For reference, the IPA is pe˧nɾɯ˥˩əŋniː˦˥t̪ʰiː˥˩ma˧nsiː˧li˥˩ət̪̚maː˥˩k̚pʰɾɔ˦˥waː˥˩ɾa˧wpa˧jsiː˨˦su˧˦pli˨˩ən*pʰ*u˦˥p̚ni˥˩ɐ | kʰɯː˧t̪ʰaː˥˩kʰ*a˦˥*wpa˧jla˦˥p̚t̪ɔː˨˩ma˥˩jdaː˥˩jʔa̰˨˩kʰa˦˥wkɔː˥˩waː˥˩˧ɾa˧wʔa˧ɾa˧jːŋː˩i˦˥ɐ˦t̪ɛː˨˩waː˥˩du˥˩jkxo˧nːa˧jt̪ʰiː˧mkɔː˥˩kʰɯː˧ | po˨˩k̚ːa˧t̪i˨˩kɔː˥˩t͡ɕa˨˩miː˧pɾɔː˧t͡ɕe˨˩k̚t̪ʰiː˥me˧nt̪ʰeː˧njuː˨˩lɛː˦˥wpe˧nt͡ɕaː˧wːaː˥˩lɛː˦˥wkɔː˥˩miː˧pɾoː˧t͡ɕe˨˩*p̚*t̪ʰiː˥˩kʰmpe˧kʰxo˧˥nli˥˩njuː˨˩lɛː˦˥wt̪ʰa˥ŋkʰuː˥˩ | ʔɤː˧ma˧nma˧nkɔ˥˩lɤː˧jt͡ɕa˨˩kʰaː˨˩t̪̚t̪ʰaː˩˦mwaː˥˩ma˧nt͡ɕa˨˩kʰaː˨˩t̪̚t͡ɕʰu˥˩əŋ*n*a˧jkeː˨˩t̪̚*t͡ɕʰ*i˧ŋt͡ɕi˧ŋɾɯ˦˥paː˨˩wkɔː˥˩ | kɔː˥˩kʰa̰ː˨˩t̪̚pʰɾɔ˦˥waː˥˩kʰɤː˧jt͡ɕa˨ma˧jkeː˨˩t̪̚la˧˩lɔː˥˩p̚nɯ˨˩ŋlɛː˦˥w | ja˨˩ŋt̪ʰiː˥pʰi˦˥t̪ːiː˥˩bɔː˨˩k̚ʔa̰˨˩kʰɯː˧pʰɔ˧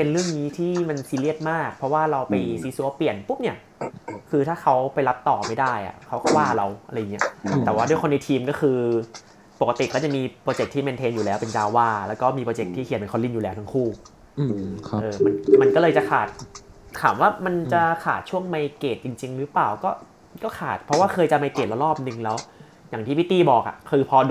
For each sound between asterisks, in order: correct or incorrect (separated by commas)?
incorrect, correct, incorrect, incorrect, incorrect